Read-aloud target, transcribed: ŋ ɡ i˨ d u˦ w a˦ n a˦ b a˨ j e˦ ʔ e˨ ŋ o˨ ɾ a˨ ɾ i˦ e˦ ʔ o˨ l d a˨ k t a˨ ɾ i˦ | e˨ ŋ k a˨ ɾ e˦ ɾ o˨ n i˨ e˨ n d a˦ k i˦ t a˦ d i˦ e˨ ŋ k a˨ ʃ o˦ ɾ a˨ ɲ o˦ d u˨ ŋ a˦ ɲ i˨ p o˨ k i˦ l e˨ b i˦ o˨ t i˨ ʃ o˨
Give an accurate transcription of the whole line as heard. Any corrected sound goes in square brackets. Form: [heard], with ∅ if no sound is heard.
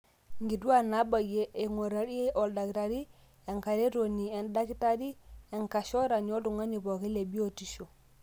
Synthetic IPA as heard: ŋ ɡ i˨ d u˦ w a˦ n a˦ b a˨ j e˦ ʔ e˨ ŋ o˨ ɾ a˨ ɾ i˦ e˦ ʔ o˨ l d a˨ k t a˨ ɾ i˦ | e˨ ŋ k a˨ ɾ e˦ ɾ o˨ n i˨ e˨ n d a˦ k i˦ t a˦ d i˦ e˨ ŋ k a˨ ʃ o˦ ɾ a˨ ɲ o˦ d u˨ ŋ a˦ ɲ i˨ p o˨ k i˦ l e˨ b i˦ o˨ t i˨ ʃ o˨